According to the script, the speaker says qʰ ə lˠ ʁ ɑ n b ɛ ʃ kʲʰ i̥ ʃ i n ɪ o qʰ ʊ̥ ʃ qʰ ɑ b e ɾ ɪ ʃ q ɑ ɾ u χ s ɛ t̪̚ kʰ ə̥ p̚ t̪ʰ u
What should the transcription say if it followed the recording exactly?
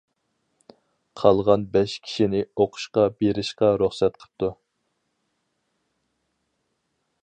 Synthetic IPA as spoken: qʰ ɑ lˠ ʁ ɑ n b ɛ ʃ kʲʰ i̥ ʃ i n ɪ o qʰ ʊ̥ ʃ q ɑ b e ɾ ɪ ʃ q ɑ ɾ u χ s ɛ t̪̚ qʰ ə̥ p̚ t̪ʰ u